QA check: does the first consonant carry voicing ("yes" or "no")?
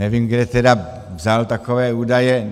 yes